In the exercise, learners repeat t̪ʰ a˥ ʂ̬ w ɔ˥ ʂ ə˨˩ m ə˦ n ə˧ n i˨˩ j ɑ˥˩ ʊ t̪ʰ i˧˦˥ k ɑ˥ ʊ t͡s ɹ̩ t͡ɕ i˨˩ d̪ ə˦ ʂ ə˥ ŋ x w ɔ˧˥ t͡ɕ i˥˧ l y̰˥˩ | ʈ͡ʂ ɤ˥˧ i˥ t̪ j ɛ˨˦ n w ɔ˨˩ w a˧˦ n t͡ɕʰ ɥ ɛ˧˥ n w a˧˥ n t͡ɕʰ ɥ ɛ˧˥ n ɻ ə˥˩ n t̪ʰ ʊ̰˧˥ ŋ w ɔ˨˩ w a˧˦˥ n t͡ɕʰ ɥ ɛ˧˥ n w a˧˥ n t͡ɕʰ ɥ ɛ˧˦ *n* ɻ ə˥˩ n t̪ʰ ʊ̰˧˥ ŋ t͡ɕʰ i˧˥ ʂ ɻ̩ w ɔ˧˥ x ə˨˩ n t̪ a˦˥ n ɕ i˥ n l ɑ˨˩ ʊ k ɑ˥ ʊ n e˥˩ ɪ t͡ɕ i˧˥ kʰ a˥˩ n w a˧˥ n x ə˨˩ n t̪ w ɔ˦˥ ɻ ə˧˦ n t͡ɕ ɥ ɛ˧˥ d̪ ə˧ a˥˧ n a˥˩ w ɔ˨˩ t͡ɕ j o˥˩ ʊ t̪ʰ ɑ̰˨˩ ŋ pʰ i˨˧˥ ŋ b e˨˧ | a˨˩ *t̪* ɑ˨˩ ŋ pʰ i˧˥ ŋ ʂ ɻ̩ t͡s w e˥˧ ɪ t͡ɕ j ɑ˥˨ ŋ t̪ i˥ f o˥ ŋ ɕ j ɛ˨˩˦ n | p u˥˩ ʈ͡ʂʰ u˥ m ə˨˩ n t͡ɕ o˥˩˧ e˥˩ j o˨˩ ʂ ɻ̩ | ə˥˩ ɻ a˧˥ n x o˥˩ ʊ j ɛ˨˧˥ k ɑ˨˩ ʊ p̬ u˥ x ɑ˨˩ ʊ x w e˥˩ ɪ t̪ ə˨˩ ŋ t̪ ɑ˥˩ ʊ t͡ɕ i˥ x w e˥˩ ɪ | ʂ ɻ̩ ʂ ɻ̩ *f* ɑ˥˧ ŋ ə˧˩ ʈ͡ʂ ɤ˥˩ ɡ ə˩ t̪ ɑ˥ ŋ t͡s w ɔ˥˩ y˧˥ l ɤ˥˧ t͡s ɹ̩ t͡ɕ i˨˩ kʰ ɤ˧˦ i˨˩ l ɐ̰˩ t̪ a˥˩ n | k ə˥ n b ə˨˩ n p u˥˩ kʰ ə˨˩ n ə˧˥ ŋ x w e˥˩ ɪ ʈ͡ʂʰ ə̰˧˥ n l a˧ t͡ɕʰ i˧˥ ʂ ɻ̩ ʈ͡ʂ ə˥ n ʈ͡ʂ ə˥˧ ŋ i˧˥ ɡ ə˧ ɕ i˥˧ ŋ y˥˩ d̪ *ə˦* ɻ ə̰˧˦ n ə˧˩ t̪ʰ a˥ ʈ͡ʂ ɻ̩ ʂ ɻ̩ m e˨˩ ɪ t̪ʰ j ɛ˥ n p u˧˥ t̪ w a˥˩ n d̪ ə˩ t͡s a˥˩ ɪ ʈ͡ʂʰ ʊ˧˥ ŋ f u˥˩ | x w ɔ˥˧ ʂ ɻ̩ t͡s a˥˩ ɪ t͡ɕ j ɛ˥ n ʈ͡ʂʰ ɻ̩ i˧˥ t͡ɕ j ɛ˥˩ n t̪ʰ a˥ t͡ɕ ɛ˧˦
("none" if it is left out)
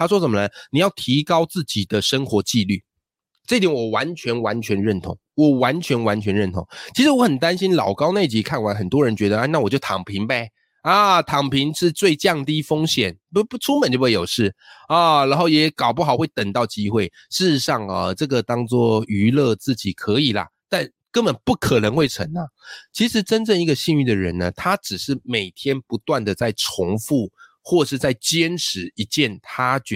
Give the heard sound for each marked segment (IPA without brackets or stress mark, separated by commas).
n, t̪ʰ, ʂ, ə˩